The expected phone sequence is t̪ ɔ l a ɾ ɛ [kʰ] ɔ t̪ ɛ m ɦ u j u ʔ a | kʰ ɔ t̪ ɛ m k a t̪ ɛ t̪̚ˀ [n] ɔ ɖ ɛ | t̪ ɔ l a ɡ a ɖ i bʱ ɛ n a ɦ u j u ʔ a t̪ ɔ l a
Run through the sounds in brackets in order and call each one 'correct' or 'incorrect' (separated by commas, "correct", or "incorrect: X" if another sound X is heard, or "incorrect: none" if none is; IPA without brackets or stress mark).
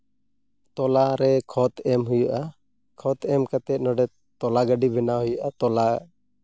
correct, correct